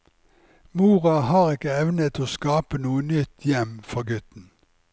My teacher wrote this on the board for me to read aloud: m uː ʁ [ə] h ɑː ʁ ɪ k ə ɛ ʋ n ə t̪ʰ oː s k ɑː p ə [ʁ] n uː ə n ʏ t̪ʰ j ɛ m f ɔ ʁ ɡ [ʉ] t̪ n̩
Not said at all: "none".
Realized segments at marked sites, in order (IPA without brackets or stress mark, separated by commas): ɑ, none, ʉ